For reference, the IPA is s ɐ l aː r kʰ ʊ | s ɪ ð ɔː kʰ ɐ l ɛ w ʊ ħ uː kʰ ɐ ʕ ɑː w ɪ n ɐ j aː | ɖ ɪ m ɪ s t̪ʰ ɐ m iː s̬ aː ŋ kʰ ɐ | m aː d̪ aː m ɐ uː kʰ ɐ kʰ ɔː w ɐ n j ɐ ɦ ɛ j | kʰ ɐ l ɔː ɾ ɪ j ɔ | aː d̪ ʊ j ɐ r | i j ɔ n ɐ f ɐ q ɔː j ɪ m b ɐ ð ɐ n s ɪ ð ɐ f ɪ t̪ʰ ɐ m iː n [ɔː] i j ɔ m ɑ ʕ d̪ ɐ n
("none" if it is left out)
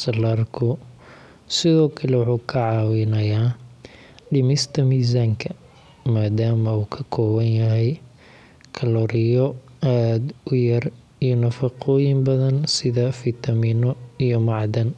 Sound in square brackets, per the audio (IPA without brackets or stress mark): ɔ